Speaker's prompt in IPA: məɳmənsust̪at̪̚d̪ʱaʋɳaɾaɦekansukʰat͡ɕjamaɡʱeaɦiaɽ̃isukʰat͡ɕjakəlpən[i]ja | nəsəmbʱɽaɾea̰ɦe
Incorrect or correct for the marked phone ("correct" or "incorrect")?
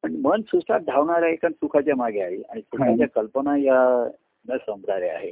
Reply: incorrect